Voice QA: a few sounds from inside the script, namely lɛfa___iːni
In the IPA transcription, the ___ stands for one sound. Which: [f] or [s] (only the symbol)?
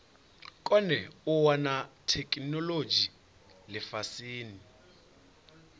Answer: s